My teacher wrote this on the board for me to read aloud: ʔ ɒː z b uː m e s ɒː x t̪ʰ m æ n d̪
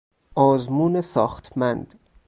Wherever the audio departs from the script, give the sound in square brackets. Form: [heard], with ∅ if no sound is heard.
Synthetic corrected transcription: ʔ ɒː z [m] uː [n] e s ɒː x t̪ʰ m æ n d̪